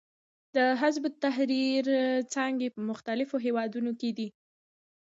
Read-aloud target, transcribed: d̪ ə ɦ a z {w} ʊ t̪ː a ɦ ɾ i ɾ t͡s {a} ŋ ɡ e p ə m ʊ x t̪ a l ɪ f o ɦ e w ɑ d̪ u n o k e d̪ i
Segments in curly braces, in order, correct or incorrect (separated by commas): incorrect, incorrect